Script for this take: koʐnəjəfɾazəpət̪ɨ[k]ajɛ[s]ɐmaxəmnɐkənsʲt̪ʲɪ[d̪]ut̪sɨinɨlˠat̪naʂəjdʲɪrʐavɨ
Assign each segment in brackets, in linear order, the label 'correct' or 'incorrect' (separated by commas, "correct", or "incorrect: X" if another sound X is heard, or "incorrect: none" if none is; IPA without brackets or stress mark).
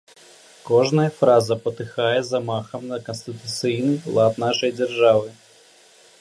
incorrect: x, incorrect: z, incorrect: t̪